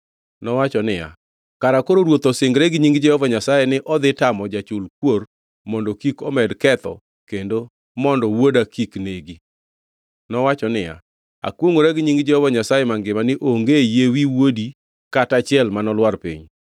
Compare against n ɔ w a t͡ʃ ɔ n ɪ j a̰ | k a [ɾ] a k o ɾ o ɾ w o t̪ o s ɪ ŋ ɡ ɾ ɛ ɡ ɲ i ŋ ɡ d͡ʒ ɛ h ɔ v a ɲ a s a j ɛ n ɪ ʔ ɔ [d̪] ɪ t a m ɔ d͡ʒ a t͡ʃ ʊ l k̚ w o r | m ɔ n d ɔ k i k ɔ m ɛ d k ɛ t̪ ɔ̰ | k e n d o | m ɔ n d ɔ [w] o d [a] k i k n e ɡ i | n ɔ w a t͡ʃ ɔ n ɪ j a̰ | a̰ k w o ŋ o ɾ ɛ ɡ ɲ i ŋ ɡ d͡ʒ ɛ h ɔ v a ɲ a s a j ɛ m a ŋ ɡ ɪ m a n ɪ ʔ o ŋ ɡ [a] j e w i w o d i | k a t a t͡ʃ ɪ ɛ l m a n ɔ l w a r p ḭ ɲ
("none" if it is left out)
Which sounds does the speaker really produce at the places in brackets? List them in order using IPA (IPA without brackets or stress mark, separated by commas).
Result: ɾ, d̪, w, a, e